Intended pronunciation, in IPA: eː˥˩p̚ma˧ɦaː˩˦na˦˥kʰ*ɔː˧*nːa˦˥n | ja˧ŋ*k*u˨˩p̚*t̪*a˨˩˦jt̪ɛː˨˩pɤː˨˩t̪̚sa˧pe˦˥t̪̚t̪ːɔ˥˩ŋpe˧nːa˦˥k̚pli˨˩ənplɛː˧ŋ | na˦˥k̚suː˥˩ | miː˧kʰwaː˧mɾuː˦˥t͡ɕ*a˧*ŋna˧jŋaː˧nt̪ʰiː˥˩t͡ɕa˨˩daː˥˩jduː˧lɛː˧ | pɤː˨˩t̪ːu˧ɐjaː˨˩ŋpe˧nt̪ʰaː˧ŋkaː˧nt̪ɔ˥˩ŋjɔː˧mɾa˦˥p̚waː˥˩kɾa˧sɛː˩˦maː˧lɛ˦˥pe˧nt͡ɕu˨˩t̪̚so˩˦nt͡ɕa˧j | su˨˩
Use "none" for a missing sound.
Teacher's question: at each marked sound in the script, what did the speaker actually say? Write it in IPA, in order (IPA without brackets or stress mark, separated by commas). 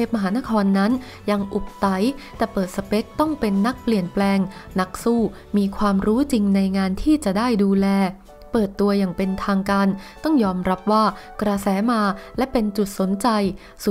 ɔː˧, ʔ, t̪, i˧